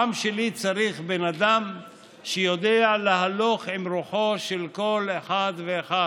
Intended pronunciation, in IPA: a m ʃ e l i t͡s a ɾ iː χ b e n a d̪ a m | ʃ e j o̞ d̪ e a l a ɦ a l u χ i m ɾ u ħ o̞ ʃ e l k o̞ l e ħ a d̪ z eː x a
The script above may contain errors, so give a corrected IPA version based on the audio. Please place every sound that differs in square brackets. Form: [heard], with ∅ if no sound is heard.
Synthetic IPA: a m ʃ e l i t͡s a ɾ [i] χ b e n a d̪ a m | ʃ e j o̞ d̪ e a l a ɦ a l [o] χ i m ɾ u ħ o̞ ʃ e l k o̞ l e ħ a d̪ [v] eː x a